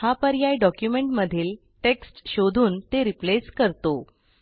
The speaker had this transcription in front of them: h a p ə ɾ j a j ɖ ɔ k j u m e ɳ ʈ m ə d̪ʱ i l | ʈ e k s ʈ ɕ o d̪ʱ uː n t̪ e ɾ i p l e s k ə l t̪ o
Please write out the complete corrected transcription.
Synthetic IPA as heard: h a p ə ɾ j a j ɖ ɔ k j u m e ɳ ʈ m ə d̪ʱ iː l | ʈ e k s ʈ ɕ o d̪ʱ uː n t̪ e ɾ i p l e s k ə ɾ t̪ o